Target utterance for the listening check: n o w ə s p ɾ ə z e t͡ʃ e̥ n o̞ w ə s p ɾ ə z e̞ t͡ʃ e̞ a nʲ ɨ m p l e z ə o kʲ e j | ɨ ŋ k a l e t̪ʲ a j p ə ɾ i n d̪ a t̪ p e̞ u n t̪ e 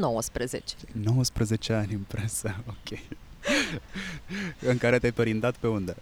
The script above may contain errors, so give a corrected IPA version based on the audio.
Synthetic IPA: n o w ə s p ɾ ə z e t͡ʃ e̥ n o̞ w ə s p ɾ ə z e̞ t͡ʃ e̞ a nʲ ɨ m p ɾ e s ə o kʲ e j | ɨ ŋ k a ɾ e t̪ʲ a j p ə ɾ i n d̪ a t̪ p e̞ u n d̪ e